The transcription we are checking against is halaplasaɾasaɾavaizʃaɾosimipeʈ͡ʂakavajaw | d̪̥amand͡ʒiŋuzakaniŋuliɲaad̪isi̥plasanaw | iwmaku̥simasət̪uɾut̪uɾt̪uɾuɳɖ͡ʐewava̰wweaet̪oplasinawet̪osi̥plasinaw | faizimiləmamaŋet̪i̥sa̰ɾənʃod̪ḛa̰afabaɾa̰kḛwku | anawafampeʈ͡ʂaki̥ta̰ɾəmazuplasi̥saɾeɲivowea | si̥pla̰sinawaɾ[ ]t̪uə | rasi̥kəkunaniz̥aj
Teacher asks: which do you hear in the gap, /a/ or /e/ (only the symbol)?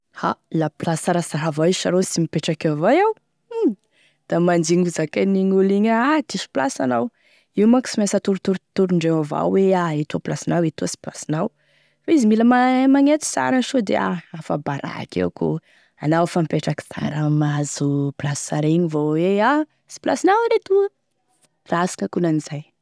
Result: e